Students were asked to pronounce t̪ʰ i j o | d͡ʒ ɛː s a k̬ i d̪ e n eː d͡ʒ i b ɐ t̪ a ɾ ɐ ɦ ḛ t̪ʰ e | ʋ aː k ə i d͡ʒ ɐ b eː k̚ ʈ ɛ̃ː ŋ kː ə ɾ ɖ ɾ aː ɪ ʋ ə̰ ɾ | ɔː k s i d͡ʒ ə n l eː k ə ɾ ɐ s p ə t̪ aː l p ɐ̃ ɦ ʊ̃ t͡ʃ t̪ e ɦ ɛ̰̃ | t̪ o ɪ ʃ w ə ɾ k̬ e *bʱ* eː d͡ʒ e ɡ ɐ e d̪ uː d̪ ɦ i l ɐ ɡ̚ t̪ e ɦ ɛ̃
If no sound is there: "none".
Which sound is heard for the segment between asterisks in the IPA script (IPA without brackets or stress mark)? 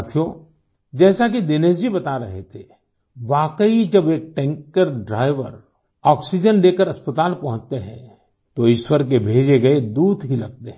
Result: bʱ